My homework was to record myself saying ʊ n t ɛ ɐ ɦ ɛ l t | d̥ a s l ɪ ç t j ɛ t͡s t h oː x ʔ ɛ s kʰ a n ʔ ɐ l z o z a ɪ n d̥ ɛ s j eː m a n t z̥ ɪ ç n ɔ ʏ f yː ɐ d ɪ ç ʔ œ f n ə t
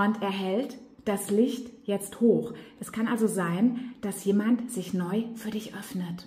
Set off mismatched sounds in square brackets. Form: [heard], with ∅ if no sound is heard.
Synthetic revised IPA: ʊ n t ɛ ɐ ɦ ɛ l t | d̥ a s l ɪ ç t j ɛ t͡s t h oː x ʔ ɛ s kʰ a n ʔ [a] l z o z a ɪ n d̥ [a] s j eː m a n t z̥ ɪ ç n ɔ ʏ f yː ɐ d ɪ ç ʔ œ f n ə t